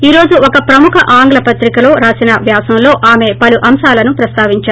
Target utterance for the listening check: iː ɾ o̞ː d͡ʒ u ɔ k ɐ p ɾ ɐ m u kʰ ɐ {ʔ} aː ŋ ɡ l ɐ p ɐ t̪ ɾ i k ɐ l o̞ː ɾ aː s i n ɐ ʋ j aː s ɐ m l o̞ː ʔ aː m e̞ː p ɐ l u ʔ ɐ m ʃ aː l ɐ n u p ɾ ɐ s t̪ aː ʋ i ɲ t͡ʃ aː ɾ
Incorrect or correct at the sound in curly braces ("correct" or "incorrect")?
correct